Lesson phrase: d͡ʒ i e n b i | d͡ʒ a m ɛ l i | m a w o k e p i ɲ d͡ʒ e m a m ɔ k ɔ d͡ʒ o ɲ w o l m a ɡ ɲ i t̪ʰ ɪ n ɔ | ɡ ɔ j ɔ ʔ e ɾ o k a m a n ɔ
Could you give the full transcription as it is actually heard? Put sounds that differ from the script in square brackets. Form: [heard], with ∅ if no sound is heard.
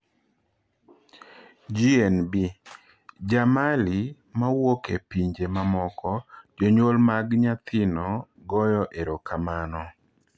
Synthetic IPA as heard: d͡ʒ i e n b i | d͡ʒ a m [a] l i | m a w o k e p i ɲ d͡ʒ e m a m ɔ k ɔ d͡ʒ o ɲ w o l m a ɡ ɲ [a] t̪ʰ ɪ n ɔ | ɡ ɔ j ɔ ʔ e ɾ o k a m a n ɔ